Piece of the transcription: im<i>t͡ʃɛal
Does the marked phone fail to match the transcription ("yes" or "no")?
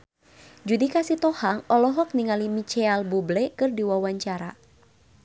no